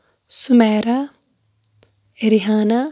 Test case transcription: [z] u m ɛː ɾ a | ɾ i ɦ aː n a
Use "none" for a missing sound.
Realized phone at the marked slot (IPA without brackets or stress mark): s